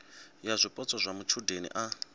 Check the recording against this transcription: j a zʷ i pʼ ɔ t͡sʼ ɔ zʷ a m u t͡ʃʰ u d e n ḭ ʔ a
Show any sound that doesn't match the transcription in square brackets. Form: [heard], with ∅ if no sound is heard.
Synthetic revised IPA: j a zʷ i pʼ ɔ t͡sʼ ɔ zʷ a m u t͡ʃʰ u d e n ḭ ʔ a